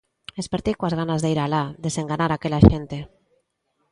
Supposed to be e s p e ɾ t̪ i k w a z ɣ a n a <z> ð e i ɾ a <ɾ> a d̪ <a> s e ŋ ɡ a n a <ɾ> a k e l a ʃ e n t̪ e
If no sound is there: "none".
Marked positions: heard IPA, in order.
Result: z, l, e, ɾ

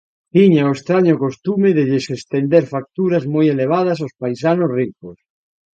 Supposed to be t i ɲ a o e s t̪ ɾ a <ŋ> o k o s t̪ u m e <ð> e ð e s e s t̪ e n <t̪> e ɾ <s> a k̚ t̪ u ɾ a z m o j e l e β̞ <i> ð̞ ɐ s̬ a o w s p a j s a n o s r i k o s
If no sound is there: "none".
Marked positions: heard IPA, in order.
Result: ɲ, ð, d̪, f, a

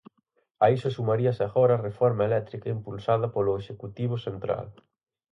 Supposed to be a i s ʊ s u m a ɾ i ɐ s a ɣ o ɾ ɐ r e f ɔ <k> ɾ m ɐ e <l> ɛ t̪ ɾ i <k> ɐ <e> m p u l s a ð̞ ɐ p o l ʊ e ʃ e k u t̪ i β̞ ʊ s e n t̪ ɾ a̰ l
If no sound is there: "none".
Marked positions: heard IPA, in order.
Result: none, l, k, i

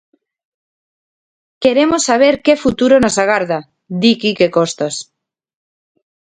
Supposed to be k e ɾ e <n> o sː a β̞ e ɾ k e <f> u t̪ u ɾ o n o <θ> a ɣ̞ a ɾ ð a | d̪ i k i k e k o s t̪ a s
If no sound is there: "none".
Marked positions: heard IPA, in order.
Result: m, f, s

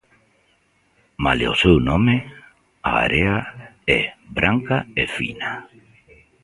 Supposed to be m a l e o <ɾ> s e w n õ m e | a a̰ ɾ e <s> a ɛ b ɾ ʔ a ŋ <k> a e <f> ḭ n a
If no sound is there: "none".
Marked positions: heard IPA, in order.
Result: none, none, k, f

